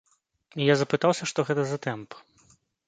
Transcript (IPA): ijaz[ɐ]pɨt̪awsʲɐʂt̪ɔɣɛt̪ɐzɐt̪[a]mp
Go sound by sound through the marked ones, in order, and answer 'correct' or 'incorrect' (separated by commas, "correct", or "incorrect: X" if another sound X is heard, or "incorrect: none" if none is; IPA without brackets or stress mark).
correct, incorrect: ɛ